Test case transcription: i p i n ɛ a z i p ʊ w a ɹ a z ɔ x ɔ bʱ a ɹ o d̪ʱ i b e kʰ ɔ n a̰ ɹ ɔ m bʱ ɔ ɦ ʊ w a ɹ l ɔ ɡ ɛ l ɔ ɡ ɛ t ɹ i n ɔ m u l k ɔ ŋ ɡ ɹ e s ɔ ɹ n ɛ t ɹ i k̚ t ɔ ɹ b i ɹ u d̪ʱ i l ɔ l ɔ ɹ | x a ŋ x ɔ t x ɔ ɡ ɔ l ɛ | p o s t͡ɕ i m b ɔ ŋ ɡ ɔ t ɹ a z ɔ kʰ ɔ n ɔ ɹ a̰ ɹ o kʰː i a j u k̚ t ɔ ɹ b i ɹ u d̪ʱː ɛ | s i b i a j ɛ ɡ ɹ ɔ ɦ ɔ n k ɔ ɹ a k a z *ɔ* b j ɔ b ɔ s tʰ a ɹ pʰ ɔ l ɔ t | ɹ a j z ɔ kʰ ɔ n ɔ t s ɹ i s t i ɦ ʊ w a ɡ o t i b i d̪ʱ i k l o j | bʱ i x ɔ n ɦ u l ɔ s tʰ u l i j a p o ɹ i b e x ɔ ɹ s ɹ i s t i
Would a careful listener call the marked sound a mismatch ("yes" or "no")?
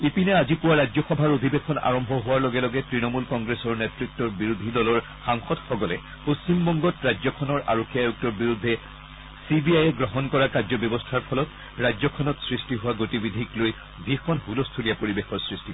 no